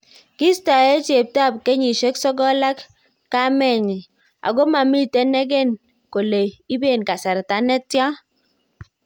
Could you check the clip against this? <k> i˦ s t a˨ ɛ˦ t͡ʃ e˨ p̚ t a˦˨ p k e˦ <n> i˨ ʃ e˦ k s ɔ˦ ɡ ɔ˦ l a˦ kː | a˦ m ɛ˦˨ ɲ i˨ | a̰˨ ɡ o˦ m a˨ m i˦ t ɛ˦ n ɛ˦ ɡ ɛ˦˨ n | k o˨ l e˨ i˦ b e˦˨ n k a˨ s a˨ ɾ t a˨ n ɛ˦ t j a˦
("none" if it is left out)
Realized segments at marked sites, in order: k, ɲ

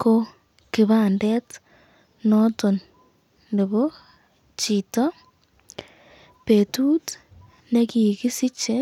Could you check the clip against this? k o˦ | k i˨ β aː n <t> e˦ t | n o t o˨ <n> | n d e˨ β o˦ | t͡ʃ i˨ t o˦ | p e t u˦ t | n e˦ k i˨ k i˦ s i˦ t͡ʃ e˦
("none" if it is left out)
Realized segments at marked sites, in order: d, n

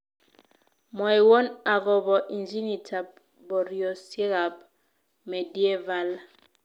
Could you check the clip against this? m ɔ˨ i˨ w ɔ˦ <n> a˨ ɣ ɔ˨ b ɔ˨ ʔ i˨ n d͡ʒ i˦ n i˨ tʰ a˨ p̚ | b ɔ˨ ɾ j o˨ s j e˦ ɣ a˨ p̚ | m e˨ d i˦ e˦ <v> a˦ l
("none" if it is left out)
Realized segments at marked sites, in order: n, v

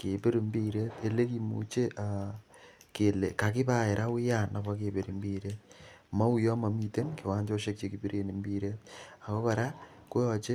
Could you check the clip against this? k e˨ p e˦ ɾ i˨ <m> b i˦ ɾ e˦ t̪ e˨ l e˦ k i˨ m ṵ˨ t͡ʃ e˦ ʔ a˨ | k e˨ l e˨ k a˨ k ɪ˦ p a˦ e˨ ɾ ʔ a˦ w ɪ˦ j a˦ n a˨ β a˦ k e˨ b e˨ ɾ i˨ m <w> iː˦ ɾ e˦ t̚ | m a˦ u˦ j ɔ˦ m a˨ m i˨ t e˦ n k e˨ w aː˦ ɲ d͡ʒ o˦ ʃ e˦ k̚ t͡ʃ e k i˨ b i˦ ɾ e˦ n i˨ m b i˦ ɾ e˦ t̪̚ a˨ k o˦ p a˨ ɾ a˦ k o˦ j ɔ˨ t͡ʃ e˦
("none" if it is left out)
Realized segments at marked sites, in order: m, b

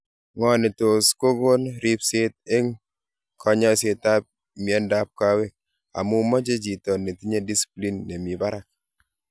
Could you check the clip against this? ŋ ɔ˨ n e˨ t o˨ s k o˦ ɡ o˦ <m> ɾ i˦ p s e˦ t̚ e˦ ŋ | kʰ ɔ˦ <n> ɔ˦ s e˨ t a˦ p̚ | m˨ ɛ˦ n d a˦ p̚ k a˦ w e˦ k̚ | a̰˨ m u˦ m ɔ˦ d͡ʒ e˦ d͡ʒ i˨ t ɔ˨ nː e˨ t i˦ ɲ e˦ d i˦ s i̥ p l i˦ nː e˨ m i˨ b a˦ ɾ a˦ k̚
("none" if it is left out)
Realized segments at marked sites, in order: n, ɲ

